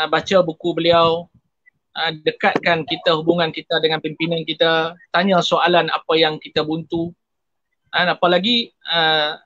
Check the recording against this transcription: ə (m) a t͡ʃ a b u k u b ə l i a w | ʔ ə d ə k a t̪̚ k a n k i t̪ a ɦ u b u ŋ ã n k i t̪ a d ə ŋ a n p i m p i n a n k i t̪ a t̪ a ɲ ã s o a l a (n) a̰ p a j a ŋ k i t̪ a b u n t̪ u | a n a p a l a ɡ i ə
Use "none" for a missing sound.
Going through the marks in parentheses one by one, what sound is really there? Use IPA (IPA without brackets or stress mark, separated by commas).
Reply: b, n